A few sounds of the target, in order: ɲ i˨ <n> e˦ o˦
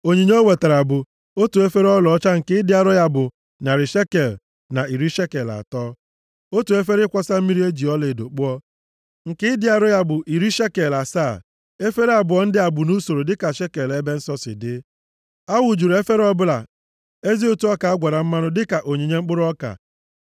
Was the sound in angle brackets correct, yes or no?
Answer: no